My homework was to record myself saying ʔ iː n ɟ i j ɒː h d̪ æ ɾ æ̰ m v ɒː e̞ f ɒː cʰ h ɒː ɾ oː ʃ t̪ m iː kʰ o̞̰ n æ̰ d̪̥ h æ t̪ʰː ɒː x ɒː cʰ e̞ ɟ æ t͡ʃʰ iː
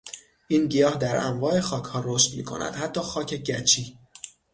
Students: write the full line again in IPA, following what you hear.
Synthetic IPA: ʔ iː n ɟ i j ɒː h d̪ æ ɾ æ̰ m v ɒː e̞ x ɒː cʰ h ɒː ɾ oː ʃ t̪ m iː kʰ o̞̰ n æ̰ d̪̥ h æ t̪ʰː ɒː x ɒː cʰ e̞ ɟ æ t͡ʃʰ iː